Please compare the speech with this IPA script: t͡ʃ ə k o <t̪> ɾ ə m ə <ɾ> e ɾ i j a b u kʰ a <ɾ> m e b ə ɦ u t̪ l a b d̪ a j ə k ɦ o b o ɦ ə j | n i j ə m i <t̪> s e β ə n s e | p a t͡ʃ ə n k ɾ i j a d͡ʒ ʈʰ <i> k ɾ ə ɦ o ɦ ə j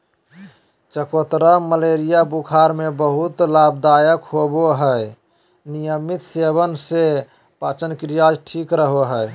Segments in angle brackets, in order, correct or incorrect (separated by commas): correct, incorrect, correct, correct, correct